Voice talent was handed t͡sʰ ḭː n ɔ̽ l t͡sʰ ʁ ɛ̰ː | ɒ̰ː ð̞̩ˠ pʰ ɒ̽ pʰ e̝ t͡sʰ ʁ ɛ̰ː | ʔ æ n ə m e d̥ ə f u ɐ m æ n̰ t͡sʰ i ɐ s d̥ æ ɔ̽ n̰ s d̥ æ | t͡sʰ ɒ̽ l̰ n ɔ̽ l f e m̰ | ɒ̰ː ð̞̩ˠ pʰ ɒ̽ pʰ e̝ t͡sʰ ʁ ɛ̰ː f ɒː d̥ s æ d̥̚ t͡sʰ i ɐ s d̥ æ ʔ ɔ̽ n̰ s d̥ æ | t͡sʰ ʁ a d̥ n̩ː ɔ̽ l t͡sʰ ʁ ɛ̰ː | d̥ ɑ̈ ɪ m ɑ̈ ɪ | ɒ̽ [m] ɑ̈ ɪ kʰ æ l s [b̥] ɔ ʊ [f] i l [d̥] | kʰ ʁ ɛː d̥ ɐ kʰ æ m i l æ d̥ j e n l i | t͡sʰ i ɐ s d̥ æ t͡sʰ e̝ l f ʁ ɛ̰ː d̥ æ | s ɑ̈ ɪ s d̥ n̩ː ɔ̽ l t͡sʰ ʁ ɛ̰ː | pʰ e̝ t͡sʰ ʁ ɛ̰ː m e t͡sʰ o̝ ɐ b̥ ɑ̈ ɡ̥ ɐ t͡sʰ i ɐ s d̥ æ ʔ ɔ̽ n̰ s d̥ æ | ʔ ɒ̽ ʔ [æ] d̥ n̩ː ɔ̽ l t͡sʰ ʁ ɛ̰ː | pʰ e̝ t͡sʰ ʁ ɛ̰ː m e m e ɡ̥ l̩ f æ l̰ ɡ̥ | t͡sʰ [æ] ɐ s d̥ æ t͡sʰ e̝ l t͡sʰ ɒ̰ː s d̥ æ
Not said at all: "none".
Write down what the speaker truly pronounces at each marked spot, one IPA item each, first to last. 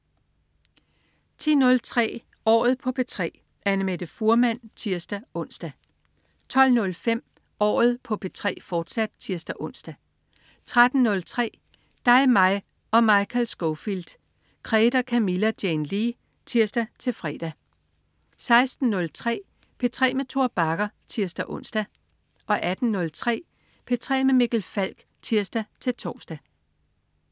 m, ɡ̥, f, d̥, æ, i

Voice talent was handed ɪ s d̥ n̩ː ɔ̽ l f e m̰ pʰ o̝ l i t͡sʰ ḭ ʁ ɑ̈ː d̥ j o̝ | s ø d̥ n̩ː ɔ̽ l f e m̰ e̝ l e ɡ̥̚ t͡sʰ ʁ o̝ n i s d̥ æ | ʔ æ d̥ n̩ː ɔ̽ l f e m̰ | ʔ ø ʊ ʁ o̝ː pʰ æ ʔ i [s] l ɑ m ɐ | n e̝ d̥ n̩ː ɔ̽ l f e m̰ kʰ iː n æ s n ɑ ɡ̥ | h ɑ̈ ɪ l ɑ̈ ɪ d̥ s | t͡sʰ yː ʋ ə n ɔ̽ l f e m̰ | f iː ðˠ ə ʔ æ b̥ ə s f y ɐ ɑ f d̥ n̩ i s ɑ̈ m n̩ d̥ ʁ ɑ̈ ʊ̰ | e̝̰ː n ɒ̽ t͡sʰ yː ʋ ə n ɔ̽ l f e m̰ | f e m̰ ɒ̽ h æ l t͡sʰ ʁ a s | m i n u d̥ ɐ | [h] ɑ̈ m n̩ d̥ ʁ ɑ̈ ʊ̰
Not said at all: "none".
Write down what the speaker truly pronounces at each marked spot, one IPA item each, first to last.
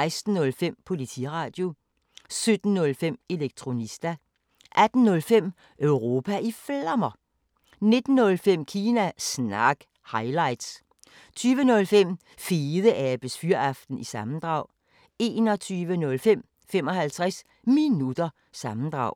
f, s

